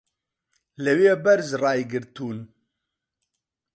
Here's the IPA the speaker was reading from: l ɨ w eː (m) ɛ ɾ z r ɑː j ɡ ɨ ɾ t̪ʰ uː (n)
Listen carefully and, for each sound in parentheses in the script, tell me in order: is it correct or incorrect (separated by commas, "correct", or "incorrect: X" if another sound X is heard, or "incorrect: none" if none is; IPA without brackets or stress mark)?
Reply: incorrect: b, correct